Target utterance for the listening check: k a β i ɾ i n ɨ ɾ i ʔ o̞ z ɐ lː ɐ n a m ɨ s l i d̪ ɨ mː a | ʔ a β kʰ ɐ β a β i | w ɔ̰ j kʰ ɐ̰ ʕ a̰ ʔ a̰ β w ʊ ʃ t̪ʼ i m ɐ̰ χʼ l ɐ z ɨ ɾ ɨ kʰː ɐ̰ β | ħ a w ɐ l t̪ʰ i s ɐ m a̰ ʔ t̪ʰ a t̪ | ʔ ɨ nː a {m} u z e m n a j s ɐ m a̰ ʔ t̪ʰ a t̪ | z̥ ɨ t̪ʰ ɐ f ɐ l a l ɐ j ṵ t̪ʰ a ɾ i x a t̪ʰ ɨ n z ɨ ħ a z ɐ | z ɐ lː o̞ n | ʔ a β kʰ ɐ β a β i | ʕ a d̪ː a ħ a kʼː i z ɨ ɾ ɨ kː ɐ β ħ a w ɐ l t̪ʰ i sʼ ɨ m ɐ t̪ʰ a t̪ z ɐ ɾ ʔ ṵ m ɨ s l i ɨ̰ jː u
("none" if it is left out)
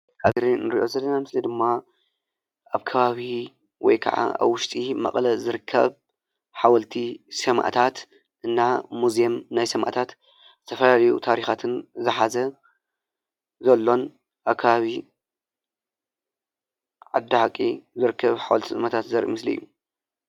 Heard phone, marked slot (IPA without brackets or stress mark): m